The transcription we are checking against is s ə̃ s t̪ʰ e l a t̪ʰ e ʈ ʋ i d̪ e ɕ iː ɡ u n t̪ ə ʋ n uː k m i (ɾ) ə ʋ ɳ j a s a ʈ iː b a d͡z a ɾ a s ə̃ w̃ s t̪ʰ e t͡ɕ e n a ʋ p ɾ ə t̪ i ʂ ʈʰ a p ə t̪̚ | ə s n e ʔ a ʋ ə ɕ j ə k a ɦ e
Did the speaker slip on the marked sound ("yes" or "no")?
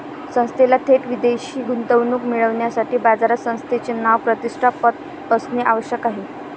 yes